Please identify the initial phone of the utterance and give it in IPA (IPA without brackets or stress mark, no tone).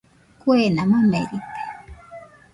k